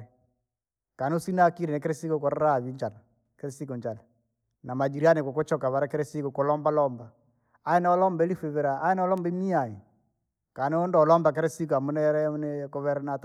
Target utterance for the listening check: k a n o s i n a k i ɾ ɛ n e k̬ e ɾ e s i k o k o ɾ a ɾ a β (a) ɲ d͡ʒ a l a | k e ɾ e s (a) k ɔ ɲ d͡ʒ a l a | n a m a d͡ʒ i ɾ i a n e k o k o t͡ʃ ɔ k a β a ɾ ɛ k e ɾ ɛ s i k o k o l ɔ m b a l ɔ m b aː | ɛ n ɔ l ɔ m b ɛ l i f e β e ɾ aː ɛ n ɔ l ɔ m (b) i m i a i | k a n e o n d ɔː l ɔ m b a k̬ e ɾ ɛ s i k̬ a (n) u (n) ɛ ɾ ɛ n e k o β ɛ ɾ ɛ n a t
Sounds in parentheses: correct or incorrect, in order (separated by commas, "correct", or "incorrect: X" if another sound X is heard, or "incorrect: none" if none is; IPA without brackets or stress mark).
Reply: incorrect: i, incorrect: i, correct, incorrect: m, correct